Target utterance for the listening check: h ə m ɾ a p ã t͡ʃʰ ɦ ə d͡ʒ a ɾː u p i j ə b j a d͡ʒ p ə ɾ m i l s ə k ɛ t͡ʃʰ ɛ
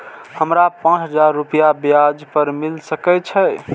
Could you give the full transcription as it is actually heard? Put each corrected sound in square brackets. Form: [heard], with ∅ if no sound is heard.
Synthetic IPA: h ə m ɾ a p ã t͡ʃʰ ɦ ə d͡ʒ a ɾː u p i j [a] b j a d͡ʒ p ə ɾ m i l s ə k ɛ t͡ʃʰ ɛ